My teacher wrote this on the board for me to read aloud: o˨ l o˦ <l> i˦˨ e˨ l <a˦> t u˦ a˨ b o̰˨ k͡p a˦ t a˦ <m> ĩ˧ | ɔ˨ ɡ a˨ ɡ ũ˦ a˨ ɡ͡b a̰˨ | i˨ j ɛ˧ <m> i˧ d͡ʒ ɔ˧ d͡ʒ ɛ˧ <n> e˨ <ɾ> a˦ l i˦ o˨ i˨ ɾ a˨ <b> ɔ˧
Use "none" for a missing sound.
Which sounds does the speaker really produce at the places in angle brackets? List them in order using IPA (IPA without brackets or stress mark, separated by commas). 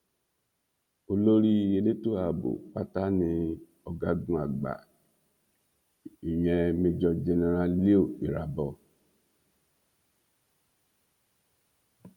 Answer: ɾ, e˦, n, m, n, ɾ, b